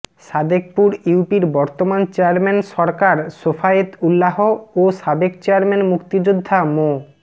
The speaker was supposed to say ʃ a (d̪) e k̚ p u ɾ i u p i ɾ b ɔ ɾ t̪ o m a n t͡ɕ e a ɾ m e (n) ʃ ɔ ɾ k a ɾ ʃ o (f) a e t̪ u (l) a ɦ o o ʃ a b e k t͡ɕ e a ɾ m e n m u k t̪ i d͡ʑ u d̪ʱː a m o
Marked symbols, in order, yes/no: yes, yes, yes, no

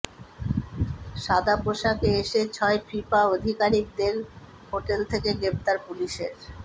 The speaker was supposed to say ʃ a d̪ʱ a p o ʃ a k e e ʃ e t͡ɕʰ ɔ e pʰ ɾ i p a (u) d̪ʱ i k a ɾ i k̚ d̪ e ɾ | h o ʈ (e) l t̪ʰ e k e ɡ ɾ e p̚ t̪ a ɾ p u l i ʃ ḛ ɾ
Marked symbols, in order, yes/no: no, yes

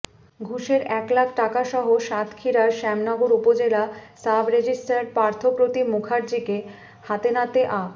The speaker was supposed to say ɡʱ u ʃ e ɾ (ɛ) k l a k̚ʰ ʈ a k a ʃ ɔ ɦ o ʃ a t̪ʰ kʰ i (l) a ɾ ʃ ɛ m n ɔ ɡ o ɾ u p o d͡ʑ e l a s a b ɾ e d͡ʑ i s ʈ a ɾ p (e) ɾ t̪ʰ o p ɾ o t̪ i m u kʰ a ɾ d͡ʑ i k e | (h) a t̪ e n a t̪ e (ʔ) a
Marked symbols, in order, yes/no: yes, no, no, yes, yes

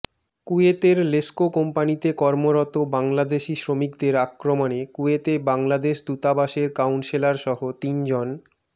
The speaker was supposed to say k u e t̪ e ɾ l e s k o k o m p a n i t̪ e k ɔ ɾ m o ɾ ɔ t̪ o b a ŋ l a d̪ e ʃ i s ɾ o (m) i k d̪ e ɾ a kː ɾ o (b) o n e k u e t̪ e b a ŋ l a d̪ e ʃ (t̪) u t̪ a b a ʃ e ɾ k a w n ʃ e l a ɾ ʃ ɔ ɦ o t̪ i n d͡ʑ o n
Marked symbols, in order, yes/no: yes, no, no

